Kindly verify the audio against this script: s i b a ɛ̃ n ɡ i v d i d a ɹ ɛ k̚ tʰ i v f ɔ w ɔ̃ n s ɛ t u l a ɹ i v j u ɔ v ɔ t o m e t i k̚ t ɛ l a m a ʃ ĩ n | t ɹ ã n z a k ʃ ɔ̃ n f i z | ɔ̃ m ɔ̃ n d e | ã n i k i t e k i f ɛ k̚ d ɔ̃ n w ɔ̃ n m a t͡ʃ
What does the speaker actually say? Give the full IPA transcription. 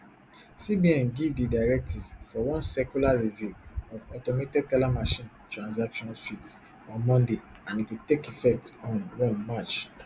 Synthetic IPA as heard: s i b i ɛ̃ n ɡ i v d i d a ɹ ɛ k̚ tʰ i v f ɔ w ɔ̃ n s ɛ k u l a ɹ i v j u ɔ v ɔ t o m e t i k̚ t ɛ l a m a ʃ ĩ n | t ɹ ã n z a k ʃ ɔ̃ n f i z | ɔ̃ m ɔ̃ n d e | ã n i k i t e k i f ɛ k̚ t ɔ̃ n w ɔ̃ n m a t͡ʃ